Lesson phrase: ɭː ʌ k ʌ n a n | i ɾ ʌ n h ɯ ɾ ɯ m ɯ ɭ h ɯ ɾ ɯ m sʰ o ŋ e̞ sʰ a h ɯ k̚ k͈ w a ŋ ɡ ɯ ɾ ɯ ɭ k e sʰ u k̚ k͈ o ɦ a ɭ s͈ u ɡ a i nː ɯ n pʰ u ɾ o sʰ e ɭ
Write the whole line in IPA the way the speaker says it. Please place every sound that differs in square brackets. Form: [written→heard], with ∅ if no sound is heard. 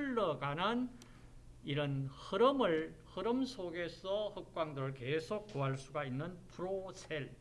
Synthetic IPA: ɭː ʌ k [ʌ→a] n a n | i ɾ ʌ n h ɯ ɾ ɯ m ɯ ɭ h ɯ ɾ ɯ m sʰ o [ŋ→ɡ] e̞ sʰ [a→ʌ] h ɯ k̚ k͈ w a ŋ [ɡ→d] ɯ ɾ ɯ ɭ k e sʰ [u→o] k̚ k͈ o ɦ a ɭ s͈ u ɡ a i nː ɯ n pʰ u ɾ o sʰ e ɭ

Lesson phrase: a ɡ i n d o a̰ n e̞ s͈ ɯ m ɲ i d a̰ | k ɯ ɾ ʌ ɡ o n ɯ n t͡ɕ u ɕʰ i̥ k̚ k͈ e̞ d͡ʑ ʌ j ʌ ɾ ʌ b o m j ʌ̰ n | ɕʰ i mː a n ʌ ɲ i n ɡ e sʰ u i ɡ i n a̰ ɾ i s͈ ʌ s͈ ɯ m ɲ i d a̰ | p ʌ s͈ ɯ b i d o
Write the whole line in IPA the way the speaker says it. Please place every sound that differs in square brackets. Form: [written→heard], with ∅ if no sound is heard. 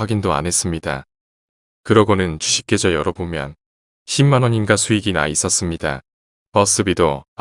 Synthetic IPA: a ɡ i n d o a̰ n e̞ s͈ ɯ m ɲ i d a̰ | k ɯ ɾ ʌ ɡ o n ɯ n t͡ɕ u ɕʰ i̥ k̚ k͈ e̞ d͡ʑ ʌ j ʌ ɾ ʌ b o m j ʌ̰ n | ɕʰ i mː a n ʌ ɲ i n ɡ [e→a] sʰ u i ɡ i n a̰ [ɾ→∅] i s͈ ʌ s͈ ɯ m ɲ i d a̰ | p ʌ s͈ ɯ b i d o

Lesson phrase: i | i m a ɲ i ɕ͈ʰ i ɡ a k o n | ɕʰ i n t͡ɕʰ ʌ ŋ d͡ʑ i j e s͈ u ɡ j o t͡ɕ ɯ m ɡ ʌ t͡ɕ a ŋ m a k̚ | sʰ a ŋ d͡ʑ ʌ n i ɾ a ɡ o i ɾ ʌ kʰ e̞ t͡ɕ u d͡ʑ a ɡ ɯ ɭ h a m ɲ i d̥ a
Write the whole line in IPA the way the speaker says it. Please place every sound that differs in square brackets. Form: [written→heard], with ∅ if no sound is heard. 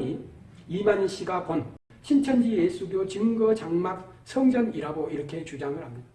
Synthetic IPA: i | i m a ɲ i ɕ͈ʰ i ɡ a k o n | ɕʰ i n t͡ɕʰ ʌ [ŋ→n] d͡ʑ i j e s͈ u ɡ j o t͡ɕ ɯ [m→ŋ] ɡ ʌ t͡ɕ a ŋ m a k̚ | sʰ [a→ʌ] ŋ d͡ʑ ʌ n i ɾ a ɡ o i ɾ ʌ kʰ e̞ t͡ɕ u d͡ʑ a [ɡ→ŋ] ɯ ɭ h a m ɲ i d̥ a

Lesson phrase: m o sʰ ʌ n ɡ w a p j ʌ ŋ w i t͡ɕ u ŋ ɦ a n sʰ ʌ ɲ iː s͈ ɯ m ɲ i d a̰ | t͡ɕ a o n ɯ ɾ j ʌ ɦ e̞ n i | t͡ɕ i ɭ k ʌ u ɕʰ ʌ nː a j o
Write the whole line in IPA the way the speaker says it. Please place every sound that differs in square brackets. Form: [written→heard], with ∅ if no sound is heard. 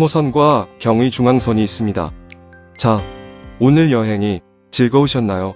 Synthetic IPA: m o sʰ ʌ n ɡ w a [p→k] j ʌ ŋ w i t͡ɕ u ŋ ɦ a [n→ŋ] sʰ ʌ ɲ iː s͈ ɯ m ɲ i d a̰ | t͡ɕ a o n ɯ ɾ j ʌ ɦ e̞ [n→ŋ] i | t͡ɕ i ɭ [k→ɡ] ʌ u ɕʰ ʌ nː a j o

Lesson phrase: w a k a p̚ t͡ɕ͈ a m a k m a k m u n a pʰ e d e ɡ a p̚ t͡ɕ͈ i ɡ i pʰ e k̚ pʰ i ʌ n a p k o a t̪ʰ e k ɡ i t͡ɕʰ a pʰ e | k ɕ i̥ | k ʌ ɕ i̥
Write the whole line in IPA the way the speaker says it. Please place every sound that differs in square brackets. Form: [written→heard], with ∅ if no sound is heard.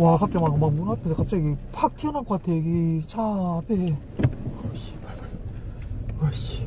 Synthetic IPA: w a k a p̚ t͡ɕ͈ a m a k m a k m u n a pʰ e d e [ɡ→k] a p̚ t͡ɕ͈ [i→a] ɡ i pʰ [e→a] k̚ [pʰ→tʰ] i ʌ n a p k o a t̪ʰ e [k→∅] ɡ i t͡ɕʰ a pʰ e | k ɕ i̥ | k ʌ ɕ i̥

